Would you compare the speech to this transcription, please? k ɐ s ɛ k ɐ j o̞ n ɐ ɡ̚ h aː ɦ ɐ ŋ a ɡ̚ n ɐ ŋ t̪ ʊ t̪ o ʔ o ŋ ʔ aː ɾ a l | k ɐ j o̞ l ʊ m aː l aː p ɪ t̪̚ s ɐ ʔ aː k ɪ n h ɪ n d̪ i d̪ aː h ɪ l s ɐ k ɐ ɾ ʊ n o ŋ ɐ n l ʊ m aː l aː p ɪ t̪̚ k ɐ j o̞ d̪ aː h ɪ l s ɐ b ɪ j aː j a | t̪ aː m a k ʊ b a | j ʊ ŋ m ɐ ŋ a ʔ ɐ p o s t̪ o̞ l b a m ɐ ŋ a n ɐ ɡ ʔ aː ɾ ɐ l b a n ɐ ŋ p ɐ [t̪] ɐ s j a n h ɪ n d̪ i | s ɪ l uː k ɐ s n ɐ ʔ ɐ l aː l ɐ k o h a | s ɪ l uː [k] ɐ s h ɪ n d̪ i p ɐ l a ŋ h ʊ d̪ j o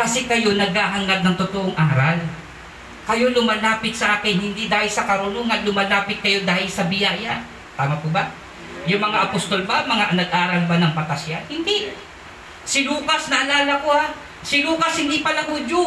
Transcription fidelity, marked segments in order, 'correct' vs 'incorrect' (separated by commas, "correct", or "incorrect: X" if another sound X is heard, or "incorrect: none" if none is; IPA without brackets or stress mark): correct, correct